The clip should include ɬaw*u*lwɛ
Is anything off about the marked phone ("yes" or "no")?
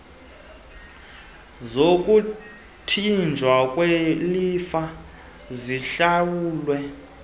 yes